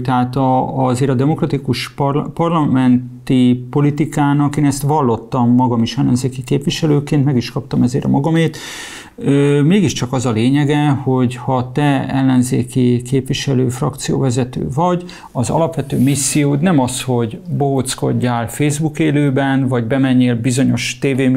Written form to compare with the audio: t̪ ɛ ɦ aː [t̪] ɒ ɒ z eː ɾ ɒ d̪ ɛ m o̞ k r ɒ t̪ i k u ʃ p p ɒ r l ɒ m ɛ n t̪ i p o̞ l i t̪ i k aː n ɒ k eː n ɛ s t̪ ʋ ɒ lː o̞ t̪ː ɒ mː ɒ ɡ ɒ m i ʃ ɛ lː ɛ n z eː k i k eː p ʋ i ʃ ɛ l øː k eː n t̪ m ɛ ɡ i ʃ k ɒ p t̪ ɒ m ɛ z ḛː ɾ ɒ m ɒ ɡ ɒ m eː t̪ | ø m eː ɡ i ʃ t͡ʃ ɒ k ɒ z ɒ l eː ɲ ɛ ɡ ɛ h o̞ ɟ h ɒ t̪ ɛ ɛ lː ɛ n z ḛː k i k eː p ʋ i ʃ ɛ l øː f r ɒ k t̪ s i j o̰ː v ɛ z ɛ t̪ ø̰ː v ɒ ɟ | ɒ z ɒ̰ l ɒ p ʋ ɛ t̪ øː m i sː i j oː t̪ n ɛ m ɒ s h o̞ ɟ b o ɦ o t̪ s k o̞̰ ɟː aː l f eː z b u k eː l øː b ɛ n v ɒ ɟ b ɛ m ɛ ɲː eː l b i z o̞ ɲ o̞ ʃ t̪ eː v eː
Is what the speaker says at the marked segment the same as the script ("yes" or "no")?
yes